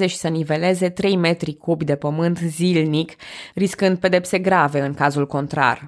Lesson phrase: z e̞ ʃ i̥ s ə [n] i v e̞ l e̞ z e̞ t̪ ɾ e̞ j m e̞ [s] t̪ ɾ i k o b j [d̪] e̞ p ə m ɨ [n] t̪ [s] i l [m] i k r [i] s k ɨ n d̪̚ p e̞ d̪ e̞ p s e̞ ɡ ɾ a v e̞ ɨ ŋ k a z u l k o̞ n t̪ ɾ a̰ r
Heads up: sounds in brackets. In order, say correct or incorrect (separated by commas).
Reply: correct, incorrect, correct, correct, incorrect, incorrect, correct